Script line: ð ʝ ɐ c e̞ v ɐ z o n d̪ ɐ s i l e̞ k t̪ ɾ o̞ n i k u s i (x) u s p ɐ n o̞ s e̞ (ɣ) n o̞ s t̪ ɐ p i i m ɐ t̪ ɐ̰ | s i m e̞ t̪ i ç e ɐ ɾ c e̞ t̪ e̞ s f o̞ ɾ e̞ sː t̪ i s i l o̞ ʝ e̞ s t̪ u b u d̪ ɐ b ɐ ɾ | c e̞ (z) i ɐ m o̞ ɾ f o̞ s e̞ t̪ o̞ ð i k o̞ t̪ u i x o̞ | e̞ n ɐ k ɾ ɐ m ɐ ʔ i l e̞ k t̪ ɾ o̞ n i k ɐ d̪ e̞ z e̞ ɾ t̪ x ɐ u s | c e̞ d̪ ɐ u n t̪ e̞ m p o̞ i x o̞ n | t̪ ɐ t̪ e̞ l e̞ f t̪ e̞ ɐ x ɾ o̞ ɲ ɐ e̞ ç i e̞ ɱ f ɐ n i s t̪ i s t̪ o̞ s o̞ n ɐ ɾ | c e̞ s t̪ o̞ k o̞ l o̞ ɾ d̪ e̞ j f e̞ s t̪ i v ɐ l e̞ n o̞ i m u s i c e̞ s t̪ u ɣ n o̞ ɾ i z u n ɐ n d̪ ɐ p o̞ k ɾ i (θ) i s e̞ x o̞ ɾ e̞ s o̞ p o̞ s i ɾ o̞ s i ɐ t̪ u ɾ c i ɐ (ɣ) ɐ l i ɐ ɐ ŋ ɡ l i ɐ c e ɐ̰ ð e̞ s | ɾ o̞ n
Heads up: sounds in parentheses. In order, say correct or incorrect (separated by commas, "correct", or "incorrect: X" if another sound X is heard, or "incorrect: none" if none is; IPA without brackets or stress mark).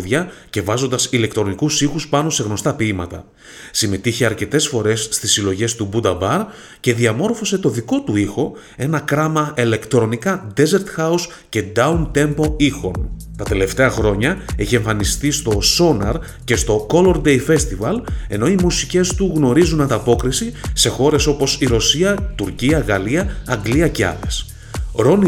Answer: correct, correct, incorrect: ð, incorrect: s, correct